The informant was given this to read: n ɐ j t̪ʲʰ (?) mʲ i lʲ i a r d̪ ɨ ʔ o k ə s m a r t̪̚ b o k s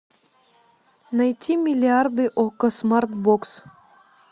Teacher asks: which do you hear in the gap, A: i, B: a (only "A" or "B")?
A